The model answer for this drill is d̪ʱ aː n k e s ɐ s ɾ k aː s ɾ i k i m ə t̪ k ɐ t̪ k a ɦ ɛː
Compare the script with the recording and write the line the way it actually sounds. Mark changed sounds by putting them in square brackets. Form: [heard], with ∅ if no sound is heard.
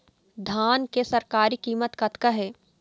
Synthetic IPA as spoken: d̪ʱ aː n k e s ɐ [∅] ɾ k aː [∅] ɾ i k [iː] m ə t̪ k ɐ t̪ k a ɦ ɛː